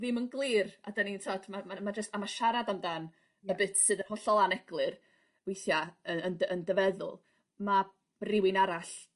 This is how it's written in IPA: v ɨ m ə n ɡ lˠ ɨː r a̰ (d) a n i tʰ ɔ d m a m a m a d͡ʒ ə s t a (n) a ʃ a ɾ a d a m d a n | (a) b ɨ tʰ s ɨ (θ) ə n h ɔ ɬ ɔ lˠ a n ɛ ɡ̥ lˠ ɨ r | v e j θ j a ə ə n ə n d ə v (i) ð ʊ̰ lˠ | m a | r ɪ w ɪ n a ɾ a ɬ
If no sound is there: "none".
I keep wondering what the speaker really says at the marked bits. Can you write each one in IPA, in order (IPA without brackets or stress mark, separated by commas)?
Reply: d, m, ə, ð, ɛ